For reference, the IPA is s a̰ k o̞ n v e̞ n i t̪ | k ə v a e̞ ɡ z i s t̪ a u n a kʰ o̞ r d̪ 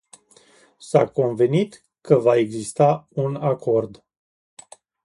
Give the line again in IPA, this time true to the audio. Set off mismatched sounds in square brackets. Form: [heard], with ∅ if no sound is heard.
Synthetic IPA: s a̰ k o̞ n v e̞ n i t̪ | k ə v a e̞ ɡ z i s t̪ a u n a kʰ o̞ r d̪